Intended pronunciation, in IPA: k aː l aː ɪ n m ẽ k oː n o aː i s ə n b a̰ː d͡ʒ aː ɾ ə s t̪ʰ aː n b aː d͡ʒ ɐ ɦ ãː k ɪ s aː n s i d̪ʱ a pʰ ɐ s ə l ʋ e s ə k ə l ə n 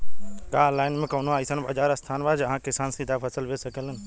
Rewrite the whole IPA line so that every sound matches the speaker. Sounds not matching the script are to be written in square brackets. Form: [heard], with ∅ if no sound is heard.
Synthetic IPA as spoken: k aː l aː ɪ n m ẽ k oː n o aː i s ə n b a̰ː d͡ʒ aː ɾ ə s t̪ʰ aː n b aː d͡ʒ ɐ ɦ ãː k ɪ s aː n s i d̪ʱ a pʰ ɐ s ə l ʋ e s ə k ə l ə n